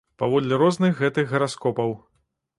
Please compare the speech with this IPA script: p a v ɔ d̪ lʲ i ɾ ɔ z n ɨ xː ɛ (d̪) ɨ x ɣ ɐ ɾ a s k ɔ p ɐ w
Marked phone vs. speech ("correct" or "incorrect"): incorrect